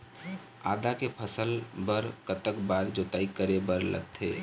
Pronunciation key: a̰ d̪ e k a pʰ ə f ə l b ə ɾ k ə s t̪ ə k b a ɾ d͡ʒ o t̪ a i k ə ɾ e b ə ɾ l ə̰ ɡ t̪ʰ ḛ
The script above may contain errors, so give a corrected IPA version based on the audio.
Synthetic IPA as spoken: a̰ d̪ a k e pʰ ə s ə l b ə ɾ k ə t̪ ə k b a ɾ d͡ʒ o t̪ a i k ə ɾ e b ə ɾ l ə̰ ɡ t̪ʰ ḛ